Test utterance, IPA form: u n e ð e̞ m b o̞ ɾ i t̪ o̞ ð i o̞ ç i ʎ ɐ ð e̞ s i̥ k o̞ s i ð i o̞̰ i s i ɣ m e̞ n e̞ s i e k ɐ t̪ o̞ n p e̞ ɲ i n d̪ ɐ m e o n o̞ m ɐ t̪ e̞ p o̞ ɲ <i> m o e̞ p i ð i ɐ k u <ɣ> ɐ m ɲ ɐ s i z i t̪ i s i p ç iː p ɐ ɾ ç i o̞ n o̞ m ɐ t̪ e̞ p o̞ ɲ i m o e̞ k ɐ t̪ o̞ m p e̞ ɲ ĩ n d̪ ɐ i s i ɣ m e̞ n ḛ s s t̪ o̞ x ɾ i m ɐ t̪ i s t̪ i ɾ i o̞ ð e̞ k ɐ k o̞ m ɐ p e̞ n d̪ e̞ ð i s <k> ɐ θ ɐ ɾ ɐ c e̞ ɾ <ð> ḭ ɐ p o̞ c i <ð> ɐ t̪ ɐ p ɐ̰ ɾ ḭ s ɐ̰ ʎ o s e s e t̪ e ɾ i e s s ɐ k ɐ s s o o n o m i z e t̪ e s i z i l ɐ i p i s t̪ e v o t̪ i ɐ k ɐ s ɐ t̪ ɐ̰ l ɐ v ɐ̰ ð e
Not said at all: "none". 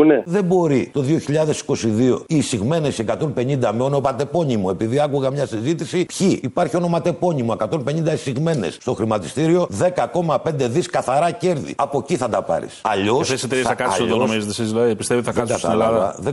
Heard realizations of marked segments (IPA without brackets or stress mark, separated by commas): i, ɣ, k, ð, θ